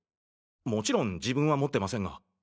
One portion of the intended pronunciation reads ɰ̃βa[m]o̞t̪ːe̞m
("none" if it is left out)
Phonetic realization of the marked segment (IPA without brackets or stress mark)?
m